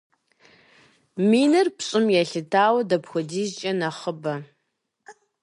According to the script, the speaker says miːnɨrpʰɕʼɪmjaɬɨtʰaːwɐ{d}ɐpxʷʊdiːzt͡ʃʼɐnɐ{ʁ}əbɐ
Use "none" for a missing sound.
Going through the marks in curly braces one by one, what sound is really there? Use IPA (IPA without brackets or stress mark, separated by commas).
d, χ